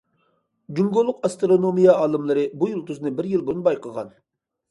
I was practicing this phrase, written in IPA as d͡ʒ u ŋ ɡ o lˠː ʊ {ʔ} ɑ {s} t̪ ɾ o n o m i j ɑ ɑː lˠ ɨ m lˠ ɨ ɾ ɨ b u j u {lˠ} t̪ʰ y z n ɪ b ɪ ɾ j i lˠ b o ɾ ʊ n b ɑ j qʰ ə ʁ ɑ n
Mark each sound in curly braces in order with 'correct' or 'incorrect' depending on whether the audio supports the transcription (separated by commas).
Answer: incorrect, correct, correct